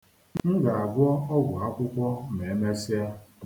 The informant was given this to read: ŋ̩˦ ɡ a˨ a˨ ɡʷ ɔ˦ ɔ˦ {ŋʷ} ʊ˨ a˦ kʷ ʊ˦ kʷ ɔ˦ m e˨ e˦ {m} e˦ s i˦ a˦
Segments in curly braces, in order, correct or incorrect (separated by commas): incorrect, correct